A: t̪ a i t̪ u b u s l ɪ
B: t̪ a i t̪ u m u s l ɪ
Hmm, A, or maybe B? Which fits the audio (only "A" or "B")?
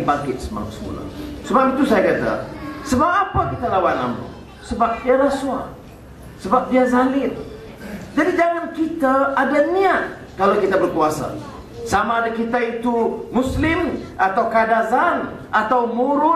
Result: B